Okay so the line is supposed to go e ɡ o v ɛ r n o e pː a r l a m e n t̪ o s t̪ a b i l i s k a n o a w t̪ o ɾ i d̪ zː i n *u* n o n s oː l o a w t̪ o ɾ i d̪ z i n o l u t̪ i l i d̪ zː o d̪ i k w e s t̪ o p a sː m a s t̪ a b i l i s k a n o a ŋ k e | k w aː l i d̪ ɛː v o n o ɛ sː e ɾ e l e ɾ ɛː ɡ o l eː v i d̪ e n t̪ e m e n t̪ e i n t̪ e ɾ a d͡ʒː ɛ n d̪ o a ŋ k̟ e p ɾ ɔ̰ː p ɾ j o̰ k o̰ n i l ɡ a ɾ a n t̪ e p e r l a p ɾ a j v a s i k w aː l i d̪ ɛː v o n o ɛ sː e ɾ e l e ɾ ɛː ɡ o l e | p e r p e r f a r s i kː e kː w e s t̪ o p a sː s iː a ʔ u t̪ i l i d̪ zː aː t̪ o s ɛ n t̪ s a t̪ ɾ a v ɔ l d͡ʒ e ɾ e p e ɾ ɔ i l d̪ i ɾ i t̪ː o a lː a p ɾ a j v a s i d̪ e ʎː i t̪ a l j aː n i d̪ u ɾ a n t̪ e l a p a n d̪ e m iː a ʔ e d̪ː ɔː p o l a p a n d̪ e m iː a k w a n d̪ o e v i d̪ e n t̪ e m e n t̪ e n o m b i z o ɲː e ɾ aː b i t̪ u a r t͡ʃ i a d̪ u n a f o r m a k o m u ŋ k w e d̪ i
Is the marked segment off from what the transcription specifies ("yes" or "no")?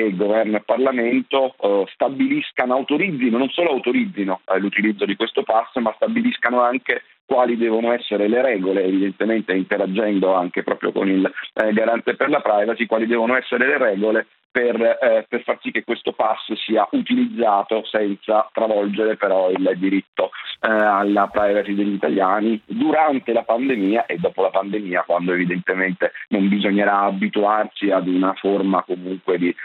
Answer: yes